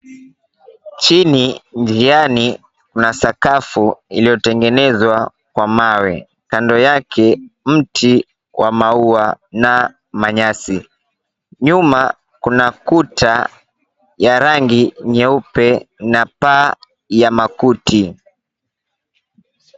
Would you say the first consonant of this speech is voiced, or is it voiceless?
voiceless